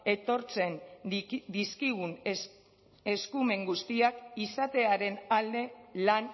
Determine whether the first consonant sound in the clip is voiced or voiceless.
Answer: voiceless